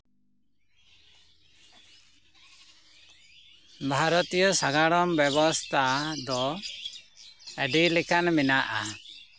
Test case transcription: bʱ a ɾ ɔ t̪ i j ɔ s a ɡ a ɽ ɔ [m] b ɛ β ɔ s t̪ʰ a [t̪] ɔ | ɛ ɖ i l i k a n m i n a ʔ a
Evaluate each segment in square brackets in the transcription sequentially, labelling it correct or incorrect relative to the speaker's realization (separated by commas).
correct, incorrect